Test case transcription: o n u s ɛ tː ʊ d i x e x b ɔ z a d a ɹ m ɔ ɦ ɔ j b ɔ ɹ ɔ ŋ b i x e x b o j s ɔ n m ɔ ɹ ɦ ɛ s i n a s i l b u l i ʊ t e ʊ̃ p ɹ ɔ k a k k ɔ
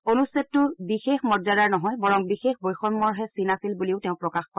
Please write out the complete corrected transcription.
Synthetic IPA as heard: o n u s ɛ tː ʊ b i x e x m ɔ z a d a ɹ n ɔ ɦ ɔ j b ɔ ɹ ɔ ŋ b i x e x b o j x ɔ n m ɔ ɹ ɦ ɛ s i n a s i l b u l i ʊ t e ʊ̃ p ɹ ɔ k a x k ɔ